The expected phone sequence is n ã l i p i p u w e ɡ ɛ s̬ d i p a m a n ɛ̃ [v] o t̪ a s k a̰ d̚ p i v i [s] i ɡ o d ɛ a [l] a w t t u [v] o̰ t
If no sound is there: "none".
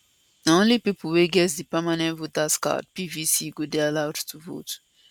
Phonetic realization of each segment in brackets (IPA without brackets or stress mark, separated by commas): v, s, l, v